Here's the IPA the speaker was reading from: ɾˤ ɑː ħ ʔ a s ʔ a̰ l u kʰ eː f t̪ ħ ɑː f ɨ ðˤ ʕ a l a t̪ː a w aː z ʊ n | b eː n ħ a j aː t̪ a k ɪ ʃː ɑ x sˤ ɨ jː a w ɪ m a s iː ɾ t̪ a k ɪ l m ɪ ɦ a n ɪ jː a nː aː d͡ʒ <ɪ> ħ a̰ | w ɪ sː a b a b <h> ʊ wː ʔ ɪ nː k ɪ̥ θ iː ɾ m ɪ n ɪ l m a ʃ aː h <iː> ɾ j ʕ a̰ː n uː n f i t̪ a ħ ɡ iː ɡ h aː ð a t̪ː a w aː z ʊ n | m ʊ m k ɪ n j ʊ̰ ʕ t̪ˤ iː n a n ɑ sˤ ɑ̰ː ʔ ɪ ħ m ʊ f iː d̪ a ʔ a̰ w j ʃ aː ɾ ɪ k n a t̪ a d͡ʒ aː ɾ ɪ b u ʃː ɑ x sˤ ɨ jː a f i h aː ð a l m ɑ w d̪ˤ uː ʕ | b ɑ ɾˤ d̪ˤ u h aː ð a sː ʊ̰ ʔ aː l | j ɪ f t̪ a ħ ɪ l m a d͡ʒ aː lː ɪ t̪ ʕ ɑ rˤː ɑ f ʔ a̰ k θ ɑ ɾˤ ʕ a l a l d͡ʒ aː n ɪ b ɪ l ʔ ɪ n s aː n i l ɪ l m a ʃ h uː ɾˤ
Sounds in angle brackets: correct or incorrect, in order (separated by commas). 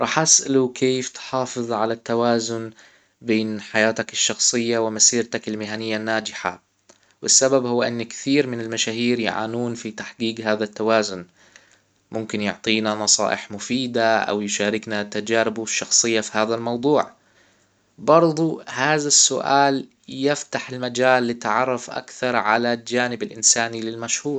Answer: correct, correct, correct